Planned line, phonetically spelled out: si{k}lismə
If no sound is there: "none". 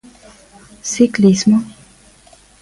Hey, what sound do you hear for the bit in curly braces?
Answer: k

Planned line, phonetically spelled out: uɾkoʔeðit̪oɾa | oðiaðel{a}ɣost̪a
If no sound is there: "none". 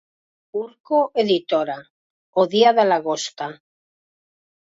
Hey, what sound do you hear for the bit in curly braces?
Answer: a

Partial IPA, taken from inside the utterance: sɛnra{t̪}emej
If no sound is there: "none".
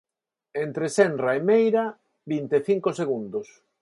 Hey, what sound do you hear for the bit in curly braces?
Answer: none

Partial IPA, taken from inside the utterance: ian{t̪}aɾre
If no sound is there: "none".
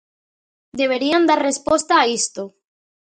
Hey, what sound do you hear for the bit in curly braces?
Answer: d̪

